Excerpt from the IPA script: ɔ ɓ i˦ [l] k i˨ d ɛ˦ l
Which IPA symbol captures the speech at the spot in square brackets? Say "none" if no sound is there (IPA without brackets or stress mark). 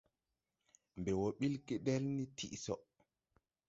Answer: l